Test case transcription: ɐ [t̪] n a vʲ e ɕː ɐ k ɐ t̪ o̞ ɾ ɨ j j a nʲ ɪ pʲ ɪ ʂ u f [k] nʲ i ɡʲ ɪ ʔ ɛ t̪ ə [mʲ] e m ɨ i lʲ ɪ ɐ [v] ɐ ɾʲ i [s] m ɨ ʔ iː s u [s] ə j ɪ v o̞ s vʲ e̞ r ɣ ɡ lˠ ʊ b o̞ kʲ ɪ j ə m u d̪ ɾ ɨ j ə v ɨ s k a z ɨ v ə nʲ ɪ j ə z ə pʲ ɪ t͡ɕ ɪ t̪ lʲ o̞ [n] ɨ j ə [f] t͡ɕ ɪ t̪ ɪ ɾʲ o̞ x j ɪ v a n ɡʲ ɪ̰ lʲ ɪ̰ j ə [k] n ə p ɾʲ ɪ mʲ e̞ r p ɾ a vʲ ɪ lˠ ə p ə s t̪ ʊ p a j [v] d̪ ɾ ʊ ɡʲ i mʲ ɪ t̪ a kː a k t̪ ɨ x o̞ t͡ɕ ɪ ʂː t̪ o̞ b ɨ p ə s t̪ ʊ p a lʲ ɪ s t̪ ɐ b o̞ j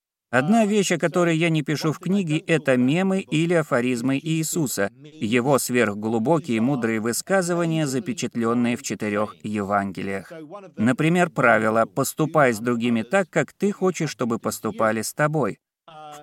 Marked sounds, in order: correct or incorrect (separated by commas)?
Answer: incorrect, correct, correct, incorrect, incorrect, correct, incorrect, correct, incorrect, incorrect